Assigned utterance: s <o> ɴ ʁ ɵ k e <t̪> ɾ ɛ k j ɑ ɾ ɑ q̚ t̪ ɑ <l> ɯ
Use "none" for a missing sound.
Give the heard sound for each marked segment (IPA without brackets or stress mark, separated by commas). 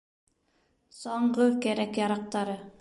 o, none, ɾ